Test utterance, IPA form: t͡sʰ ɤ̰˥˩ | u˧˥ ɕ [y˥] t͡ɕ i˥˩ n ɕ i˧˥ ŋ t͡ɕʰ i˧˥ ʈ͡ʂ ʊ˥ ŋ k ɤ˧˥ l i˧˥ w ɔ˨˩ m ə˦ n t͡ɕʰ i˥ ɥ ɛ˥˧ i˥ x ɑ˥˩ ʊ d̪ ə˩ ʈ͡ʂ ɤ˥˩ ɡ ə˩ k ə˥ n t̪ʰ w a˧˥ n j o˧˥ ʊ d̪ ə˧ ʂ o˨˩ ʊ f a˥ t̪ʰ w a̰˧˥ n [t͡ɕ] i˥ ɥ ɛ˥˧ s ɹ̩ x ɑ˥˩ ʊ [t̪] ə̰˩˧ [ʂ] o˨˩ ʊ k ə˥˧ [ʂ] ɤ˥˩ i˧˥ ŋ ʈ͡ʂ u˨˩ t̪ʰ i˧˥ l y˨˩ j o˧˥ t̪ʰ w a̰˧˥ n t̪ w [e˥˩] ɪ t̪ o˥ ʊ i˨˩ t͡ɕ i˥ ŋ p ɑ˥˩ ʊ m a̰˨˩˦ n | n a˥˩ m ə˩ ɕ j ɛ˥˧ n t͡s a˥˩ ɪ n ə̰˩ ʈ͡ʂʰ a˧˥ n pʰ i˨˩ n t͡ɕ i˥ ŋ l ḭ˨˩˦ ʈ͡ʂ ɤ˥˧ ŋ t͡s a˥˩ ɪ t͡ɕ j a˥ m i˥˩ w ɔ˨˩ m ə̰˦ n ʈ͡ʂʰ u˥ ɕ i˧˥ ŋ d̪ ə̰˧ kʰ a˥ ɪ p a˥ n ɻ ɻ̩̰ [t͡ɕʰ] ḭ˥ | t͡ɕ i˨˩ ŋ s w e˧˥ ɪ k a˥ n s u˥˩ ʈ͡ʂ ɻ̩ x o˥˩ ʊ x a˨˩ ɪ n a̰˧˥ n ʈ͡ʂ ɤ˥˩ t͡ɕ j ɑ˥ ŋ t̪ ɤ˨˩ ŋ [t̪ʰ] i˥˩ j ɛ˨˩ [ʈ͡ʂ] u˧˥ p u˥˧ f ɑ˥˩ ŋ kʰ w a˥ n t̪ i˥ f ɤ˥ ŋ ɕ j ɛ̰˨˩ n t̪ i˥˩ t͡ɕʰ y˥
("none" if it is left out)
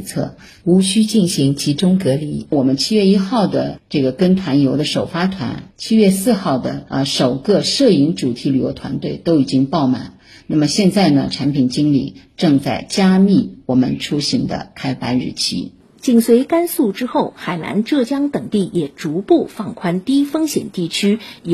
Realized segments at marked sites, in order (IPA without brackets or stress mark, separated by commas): y˥, t͡ɕʰ, d̪, ʂ, ʂ, e˥˩, t͡ɕʰ, t̪, ʈ͡ʂ